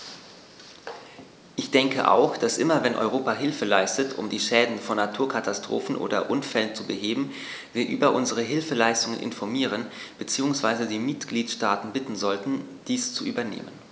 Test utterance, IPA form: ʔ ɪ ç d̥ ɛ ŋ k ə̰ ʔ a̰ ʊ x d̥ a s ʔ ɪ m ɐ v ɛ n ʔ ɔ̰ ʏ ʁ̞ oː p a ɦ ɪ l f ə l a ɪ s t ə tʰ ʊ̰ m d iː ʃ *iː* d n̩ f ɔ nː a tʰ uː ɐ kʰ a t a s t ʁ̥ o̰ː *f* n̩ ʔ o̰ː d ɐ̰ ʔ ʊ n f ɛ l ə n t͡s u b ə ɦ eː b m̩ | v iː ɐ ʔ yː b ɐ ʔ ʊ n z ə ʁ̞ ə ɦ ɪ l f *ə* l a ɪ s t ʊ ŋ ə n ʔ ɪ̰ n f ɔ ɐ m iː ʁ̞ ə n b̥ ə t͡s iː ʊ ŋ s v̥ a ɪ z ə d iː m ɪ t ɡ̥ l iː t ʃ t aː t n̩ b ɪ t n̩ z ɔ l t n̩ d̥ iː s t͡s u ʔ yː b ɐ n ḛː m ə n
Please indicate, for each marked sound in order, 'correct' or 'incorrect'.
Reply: incorrect: ɛː, correct, correct

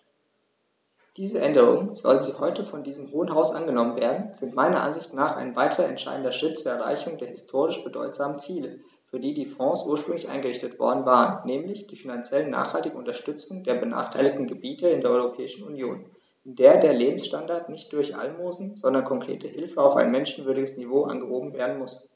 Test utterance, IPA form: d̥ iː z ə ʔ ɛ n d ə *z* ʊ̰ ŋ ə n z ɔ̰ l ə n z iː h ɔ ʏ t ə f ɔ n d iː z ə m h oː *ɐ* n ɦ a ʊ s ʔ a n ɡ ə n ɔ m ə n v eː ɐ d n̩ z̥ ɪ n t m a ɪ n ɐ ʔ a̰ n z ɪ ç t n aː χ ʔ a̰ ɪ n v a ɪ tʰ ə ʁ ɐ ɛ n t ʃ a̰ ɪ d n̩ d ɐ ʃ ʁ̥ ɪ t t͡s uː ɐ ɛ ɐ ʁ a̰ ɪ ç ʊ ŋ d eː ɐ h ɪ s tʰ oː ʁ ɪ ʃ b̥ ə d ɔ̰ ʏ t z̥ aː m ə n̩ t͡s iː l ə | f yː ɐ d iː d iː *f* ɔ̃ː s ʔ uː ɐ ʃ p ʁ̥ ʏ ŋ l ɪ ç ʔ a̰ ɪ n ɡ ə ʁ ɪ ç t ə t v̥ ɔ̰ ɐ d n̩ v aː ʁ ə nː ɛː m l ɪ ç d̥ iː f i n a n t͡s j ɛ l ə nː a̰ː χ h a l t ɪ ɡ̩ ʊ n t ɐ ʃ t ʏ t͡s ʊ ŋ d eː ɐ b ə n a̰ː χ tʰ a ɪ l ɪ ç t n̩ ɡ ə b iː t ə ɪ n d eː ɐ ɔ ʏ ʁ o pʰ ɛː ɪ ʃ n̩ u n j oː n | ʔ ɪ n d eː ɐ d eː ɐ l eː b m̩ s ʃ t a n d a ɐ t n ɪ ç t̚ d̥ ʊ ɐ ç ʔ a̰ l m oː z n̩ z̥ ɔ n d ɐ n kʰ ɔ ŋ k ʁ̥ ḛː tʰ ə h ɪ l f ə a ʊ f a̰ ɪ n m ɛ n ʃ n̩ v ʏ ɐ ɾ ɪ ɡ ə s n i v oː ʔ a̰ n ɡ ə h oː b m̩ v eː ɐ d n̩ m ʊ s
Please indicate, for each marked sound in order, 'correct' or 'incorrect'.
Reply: incorrect: ʁ, incorrect: ə, correct

